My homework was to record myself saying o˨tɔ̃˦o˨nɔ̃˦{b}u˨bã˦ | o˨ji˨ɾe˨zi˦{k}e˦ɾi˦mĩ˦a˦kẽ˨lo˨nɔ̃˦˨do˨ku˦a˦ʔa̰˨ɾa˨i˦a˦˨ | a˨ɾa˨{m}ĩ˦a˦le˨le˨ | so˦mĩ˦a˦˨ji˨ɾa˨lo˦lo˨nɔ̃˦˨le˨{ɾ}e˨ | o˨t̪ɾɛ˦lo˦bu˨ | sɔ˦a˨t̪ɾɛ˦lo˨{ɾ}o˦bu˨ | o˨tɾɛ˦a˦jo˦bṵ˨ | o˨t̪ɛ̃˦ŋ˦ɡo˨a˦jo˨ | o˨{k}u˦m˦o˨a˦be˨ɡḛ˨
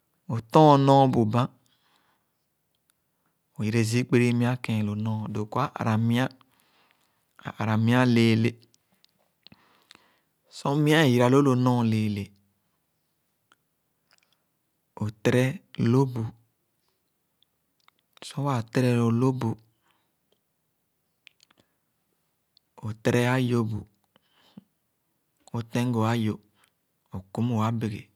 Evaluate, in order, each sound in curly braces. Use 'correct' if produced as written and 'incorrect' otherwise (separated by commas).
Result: correct, incorrect, correct, incorrect, incorrect, correct